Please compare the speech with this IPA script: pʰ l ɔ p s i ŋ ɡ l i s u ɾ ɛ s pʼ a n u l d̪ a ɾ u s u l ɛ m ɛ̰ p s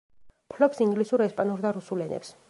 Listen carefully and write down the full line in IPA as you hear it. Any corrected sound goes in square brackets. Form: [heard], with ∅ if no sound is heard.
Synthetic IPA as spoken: pʰ l ɔ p s i ŋ ɡ l i s u ɾ ɛ s pʼ a n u [ɾ] d̪ a ɾ u s u l ɛ [n] ɛ̰ p s